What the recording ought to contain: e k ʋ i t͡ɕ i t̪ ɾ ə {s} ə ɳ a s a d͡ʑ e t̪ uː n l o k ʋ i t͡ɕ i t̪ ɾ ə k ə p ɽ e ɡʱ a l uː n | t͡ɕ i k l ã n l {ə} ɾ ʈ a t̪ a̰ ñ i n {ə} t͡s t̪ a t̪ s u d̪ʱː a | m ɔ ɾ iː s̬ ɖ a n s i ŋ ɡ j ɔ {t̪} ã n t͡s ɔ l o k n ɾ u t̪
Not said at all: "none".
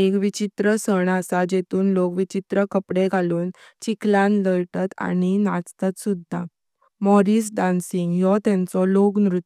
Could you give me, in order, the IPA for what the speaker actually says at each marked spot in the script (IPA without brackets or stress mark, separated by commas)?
s, ə, a, t̪